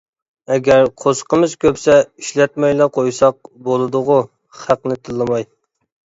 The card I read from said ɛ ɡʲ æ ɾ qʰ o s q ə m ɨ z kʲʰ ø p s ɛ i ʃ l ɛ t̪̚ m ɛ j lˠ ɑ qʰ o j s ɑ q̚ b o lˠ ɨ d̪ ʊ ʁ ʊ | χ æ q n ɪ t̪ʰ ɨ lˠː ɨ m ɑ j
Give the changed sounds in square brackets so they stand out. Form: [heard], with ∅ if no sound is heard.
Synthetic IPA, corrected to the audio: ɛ ɡʲ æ ɾ qʰ o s q ə m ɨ z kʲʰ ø p s ɛ i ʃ l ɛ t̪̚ m ɛ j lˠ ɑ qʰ o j s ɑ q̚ b o lˠ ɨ d̪ ʊ ʁ ʊ | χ æ q n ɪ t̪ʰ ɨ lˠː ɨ m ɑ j